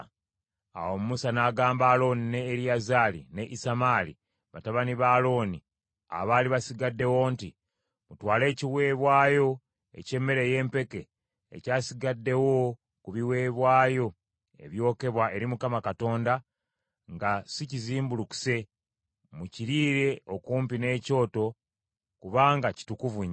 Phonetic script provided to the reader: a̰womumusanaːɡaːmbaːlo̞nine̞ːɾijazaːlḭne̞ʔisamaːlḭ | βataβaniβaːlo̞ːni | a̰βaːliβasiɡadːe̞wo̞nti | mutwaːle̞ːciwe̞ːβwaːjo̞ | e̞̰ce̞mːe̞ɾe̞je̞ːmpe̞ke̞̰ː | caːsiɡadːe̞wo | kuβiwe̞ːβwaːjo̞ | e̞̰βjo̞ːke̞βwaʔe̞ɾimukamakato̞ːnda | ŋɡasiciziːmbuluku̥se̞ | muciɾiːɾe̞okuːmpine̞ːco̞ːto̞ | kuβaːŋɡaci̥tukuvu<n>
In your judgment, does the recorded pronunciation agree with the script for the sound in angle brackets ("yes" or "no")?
no